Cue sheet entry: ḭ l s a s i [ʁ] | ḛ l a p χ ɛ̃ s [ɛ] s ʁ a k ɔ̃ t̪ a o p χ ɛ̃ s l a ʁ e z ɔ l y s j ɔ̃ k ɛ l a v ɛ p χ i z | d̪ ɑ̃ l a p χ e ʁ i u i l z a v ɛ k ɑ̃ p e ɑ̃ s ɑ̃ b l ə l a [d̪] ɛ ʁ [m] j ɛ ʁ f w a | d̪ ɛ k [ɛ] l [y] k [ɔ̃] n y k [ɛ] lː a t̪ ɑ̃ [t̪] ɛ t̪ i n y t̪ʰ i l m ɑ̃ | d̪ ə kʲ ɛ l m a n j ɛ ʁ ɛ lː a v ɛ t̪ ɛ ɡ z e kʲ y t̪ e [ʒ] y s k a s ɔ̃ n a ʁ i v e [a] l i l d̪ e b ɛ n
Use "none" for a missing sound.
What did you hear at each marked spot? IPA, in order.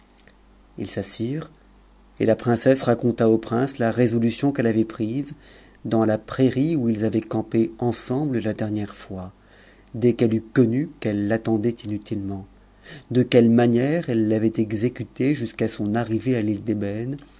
ʁ, ɛ, d̪, n, ɛ, y, ɔ, ɛ, d̪, ʒ, a

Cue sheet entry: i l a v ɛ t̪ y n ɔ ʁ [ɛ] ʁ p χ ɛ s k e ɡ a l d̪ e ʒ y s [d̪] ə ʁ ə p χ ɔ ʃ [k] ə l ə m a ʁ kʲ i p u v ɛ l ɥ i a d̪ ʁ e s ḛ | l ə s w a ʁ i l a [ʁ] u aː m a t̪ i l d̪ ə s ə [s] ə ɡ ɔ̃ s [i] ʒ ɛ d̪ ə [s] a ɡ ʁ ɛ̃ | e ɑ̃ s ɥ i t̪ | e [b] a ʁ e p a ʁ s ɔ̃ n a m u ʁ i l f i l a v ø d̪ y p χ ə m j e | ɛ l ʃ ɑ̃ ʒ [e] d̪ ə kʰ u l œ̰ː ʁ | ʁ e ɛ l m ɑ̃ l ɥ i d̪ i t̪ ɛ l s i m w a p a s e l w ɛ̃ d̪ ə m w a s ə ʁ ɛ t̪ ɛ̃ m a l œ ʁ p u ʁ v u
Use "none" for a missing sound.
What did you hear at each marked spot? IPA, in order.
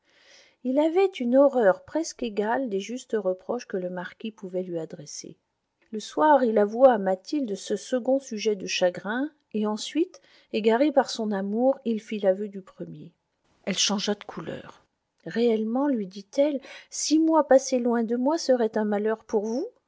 œ, t̪, k, v, s, y, ʃ, ɡ, a

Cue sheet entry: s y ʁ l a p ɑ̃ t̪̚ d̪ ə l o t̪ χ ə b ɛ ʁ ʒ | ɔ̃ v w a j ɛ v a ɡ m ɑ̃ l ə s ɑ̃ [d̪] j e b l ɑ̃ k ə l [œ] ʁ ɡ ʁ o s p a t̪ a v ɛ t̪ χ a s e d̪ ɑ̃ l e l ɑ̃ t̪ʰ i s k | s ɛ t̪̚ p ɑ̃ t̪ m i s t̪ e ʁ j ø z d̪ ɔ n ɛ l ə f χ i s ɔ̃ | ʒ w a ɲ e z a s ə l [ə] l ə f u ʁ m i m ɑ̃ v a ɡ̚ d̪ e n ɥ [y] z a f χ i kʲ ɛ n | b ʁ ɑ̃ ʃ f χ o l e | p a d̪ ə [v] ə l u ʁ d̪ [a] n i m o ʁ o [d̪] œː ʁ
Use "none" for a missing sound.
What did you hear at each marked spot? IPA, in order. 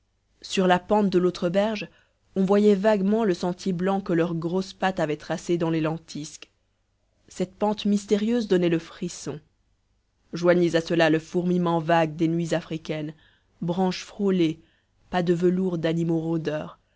t̪, œ, a, i, v, a, d̪

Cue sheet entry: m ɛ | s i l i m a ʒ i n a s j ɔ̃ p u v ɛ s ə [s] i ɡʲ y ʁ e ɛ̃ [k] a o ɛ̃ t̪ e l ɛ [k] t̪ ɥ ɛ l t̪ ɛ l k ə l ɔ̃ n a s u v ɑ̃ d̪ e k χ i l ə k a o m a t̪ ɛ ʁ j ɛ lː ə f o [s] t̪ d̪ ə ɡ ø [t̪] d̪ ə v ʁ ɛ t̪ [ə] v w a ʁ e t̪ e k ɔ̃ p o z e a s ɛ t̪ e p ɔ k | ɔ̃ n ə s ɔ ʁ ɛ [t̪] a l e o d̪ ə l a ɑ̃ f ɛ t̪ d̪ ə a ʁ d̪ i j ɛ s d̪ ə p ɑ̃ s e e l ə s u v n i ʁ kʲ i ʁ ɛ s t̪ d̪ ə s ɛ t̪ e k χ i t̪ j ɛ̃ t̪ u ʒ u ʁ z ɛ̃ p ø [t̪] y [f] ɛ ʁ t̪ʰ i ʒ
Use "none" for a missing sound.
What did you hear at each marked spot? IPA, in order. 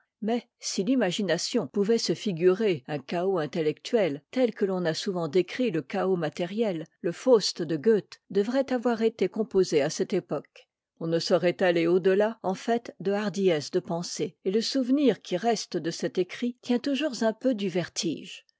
f, k, k, s, t̪, a, t̪, d̪, v

